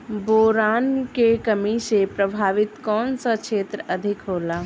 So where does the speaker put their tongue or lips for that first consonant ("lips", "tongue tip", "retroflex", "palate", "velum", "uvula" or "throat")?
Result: lips